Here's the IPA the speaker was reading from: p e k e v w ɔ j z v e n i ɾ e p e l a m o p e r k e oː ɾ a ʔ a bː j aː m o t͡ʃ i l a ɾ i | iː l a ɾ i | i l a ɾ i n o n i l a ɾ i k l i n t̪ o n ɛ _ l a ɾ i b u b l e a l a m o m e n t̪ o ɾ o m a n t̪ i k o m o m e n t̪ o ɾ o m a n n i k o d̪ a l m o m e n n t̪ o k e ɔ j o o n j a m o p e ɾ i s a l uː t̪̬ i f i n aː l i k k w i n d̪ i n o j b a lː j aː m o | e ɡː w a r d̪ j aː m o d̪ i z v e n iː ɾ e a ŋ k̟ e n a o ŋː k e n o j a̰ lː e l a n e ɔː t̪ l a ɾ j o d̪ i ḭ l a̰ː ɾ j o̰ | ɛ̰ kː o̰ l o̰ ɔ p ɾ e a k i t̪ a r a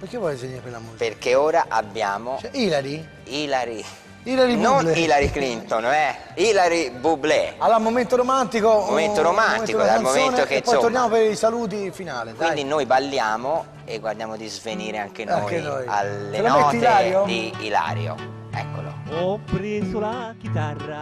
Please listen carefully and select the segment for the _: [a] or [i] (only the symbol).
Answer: i